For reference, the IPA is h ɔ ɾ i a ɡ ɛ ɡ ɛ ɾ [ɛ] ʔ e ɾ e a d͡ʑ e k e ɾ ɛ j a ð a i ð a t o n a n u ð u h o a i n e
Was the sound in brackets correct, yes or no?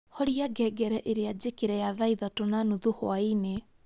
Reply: yes